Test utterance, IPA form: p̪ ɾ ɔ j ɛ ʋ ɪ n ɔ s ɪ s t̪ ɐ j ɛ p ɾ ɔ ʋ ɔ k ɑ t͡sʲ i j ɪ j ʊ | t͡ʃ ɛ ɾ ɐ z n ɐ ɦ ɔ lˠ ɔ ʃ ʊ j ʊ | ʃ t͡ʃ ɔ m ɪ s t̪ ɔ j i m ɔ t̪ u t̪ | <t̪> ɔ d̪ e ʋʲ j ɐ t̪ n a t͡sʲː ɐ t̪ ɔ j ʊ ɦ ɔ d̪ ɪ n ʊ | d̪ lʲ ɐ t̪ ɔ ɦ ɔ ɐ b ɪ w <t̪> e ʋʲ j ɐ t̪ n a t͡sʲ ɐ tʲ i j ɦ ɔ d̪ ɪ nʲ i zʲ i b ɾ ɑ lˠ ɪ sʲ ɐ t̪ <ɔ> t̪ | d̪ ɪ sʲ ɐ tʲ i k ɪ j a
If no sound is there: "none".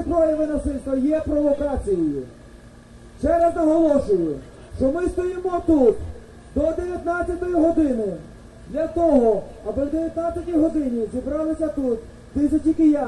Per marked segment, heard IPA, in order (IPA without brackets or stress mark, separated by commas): d̪, d̪, u